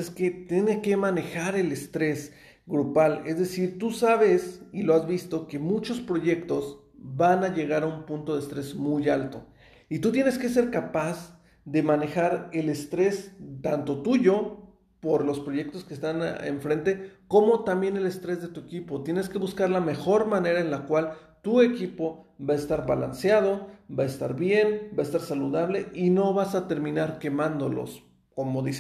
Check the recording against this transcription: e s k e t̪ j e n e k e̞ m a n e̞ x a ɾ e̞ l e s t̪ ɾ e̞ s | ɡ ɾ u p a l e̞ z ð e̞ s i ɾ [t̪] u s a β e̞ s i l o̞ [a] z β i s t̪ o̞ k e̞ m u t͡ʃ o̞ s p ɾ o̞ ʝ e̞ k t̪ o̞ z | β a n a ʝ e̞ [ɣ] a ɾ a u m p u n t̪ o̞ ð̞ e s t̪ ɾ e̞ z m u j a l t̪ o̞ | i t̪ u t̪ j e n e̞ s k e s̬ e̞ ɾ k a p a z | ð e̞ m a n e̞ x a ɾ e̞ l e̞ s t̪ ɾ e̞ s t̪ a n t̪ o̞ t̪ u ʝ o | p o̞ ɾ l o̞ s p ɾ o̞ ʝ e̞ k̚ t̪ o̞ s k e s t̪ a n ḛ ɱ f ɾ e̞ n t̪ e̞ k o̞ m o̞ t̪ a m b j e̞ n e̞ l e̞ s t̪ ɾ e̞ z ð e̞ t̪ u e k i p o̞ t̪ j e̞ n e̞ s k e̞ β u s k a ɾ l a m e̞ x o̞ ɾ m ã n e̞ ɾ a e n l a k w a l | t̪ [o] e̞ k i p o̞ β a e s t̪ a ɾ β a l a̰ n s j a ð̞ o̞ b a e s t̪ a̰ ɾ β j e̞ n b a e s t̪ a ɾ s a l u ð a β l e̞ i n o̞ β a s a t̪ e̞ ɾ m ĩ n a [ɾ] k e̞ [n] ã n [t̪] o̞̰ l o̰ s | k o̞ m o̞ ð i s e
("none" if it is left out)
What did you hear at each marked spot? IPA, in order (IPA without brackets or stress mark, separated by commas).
t̪, a, ɣ, u, ɾ, m, d̪